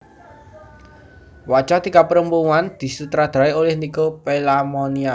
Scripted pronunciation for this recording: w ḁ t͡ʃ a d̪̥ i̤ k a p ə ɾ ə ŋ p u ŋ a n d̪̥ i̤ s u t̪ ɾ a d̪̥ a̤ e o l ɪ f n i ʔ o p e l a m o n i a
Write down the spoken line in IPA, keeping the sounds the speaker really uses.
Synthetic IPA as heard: w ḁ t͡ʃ a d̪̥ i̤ k a p ə ɾ ə m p u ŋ a n d̪̥ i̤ s u t̪ ɾ a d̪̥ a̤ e o l ɪ h n i k o p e l a m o n i a